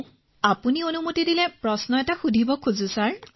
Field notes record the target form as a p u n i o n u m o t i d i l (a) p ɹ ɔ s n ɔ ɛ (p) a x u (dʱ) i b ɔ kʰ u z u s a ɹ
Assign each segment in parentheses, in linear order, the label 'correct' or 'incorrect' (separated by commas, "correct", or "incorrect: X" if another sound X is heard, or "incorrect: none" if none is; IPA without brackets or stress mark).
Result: incorrect: ɛ, incorrect: t, correct